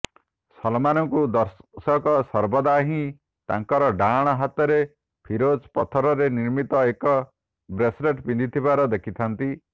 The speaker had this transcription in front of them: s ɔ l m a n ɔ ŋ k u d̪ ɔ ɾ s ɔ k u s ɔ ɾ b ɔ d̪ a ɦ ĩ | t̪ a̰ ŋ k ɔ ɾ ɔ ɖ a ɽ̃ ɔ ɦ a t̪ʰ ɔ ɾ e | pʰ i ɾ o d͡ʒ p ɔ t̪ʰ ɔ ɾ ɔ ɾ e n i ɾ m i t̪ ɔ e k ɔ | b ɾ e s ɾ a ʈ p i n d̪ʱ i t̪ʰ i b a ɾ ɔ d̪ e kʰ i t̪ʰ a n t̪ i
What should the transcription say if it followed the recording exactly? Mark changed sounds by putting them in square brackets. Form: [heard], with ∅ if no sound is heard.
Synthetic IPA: s ɔ l m a n ɔ ŋ k u d̪ ɔ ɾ s ɔ k [ɔ] s ɔ ɾ b ɔ d̪ a ɦ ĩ | t̪ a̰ ŋ k ɔ ɾ ɔ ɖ a ɽ̃ ɔ ɦ a [t̪] ɔ ɾ e | pʰ i ɾ o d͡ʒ p ɔ t̪ʰ ɔ ɾ ɔ ɾ e n i ɾ m i t̪ ɔ e k ɔ | b ɾ e s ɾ [e] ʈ p i n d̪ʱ i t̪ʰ i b a ɾ ɔ d̪ e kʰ i t̪ʰ a n t̪ i